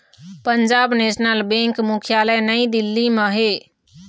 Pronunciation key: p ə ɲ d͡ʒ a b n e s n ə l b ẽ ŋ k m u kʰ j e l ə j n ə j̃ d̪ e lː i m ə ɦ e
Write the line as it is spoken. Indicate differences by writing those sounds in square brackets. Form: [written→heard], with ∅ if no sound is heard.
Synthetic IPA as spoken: p ə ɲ d͡ʒ a b n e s n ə l b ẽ ŋ k m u kʰ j [e→a] l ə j n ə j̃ d̪ [e→i] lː i m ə ɦ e